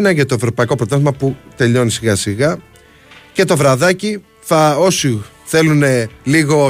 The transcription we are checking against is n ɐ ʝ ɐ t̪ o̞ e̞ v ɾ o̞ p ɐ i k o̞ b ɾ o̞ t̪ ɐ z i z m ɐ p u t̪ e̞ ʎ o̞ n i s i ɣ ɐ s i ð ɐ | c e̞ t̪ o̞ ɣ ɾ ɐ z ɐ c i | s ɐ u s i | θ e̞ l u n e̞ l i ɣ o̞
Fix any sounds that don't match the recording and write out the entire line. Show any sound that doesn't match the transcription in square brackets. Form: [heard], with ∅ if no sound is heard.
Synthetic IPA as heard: n ɐ ʝ ɐ t̪ o̞ e̞ v ɾ o̞ p ɐ i k o̞ [p] ɾ o̞ t̪ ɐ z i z m ɐ p u t̪ e̞ ʎ o̞ n i s i ɣ ɐ s i [ɣ] ɐ | c e̞ t̪ o̞ [v] ɾ ɐ [ð] ɐ c i | [θ] ɐ [o] s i | θ e̞ l u n e̞ l i ɣ o̞